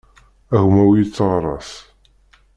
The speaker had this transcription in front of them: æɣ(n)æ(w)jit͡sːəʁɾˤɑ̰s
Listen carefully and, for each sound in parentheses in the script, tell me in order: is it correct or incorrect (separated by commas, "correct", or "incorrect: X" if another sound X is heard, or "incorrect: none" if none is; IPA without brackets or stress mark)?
incorrect: m, correct